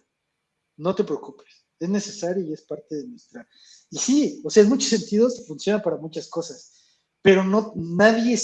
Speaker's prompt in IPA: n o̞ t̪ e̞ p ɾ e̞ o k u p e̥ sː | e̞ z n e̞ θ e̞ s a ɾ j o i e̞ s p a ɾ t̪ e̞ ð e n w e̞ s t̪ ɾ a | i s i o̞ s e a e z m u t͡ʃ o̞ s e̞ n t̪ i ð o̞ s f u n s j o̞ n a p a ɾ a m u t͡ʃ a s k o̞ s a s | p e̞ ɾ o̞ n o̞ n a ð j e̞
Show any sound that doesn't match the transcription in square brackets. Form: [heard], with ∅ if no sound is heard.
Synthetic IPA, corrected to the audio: n o̞ t̪ e̞ p ɾ e̞ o k u p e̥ [s] | e̞ z n e̞ [s] e̞ s a ɾ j o i e̞ s p a ɾ t̪ e̞ ð e n w e̞ s t̪ ɾ a | i s i o̞ s e a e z m u t͡ʃ o̞ s e̞ n t̪ i ð o̞ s f u n s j o̞ n a p a ɾ a m u t͡ʃ a s k o̞ s a s | p e̞ ɾ o̞ n o̞ n a ð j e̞

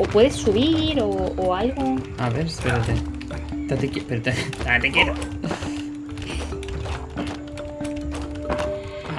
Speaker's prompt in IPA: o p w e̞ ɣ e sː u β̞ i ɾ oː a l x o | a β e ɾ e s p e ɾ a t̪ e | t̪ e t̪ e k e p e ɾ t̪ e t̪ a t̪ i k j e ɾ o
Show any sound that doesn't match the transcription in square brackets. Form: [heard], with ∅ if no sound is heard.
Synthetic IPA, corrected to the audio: o p w e̞ [ð] e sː u β̞ i ɾ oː a l [ɣ] o | a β e ɾ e s p e ɾ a t̪ e | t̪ [a] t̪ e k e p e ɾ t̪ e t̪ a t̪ [e] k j e ɾ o

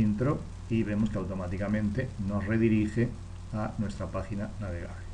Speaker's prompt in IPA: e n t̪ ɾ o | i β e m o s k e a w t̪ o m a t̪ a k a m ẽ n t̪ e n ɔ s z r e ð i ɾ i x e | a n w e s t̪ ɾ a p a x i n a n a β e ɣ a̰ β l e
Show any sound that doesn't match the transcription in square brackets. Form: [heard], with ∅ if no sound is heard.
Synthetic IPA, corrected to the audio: [i] n t̪ ɾ o | i β e m o s k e a w t̪ o m a t̪ [i] k a m ẽ n t̪ e n [o] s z r e ð i ɾ i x e | a n w e s t̪ ɾ a p a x i n a n a β e ɣ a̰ β l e

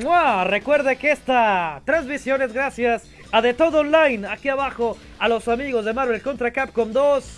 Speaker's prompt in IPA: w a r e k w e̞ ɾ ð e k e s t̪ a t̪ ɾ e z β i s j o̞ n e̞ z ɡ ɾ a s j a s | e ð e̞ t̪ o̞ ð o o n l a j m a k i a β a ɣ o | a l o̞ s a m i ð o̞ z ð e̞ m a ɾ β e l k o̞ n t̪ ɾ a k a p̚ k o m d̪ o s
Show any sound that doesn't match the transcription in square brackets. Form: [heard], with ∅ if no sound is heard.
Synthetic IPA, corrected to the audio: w a r e k w e̞ ɾ ð e k e s t̪ a t̪ ɾ e z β i s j o̞ n e̞ z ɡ ɾ a s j a s | [a] ð e̞ t̪ o̞ ð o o n l a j [n] a k i a β a [x] o | a l o̞ s a m i [ɣ] o̞ z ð e̞ m a ɾ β e l k o̞ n t̪ ɾ a k a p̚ k o m d̪ o s

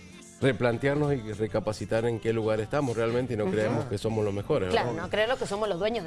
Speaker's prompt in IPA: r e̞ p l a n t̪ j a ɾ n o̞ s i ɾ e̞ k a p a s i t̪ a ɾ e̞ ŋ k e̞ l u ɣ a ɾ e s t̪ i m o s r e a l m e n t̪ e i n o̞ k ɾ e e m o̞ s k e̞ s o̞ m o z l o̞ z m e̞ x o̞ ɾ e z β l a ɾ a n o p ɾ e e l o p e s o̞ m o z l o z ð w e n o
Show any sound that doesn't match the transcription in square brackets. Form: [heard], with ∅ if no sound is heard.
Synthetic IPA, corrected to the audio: r e̞ p l a n t̪ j a ɾ n o̞ s i [r] e̞ k a p a s i t̪ a ɾ e̞ ŋ k e̞ l u ɣ a ɾ e s t̪ [a] m o s r e a l m e n t̪ e i n o̞ k ɾ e e m o̞ s k e̞ s o̞ m o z l o̞ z m e̞ x o̞ ɾ e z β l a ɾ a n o [k] ɾ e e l o [k] e s o̞ m o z l o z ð w e [ɲ] o

